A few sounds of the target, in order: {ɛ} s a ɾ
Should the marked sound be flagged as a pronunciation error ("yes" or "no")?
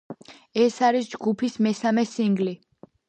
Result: no